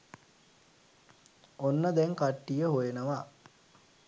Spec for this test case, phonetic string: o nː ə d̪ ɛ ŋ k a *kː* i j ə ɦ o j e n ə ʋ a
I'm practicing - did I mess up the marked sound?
yes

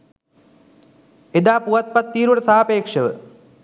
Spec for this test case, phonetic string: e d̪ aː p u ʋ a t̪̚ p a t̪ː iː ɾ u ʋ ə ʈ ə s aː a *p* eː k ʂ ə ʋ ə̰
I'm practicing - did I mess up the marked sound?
no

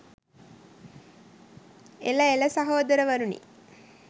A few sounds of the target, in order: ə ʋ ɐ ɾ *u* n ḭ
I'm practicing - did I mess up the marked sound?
no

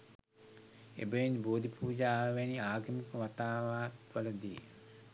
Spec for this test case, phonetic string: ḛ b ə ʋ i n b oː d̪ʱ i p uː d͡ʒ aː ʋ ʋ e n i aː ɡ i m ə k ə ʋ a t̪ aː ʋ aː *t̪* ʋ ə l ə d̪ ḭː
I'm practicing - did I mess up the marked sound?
no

